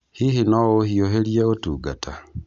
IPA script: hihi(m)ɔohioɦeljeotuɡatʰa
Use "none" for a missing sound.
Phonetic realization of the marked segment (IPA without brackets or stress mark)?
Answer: n